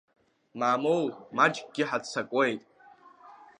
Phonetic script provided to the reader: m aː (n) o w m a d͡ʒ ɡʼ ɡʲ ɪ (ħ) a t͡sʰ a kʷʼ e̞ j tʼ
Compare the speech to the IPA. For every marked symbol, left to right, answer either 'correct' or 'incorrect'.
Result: incorrect, correct

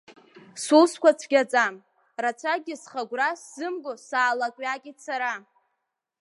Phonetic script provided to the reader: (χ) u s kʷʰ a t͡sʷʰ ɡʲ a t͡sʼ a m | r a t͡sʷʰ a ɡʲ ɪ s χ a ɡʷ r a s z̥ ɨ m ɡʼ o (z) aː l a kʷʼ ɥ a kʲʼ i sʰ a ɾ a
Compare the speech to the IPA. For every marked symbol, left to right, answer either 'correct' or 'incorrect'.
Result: incorrect, incorrect

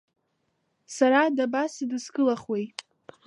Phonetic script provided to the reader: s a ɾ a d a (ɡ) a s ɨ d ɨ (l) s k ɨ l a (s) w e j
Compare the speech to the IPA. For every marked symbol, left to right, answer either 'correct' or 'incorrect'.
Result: incorrect, incorrect, incorrect

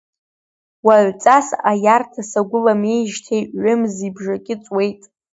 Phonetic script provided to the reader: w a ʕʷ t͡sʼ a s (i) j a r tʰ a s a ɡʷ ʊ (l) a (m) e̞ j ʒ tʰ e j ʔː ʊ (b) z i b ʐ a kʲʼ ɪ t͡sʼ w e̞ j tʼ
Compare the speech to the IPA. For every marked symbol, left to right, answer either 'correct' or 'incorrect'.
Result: incorrect, correct, correct, incorrect

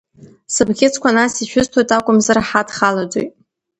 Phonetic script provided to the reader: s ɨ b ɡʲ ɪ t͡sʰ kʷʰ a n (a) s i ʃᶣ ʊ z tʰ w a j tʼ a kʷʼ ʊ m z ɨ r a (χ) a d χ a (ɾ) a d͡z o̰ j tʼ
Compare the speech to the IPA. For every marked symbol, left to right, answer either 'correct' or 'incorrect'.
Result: correct, incorrect, incorrect

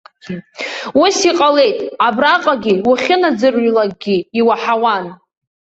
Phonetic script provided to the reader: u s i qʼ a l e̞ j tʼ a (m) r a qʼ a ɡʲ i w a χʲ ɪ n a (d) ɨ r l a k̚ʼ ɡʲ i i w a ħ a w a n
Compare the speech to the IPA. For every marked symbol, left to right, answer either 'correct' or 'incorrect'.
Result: incorrect, incorrect

